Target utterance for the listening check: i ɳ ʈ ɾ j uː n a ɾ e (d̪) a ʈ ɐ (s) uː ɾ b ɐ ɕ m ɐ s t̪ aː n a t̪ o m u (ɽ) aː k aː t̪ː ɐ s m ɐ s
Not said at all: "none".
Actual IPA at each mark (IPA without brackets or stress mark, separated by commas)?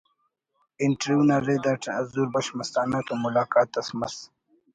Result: d̪, z, l